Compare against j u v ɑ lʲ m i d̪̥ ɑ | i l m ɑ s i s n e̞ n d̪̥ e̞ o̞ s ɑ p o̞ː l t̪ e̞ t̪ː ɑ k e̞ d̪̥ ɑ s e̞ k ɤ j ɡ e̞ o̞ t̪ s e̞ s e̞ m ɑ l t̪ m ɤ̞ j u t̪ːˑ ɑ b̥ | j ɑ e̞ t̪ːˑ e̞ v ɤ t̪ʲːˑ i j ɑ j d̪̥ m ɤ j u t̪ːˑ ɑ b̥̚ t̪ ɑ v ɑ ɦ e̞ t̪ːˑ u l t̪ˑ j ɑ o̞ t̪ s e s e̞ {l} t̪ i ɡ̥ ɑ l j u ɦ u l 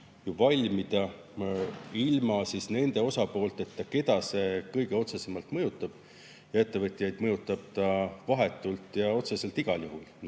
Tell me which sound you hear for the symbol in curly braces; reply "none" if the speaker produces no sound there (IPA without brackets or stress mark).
l